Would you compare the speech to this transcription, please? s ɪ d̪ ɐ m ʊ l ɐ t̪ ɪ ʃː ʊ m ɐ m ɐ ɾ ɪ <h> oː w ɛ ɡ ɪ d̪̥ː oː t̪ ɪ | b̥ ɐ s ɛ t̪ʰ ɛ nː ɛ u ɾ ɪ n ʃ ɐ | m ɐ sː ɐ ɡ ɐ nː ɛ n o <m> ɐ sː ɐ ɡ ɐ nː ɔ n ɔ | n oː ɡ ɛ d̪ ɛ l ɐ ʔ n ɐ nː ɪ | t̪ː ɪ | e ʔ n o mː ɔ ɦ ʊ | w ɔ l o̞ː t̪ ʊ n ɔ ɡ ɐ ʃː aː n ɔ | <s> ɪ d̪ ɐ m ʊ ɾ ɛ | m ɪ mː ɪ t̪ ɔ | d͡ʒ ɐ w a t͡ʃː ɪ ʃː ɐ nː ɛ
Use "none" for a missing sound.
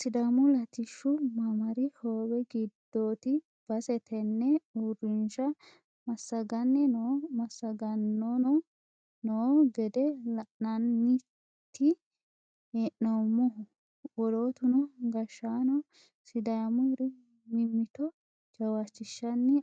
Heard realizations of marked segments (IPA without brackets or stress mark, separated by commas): h, m, s